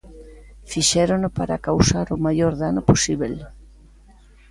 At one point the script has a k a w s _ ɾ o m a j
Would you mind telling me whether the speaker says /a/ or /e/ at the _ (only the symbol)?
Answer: a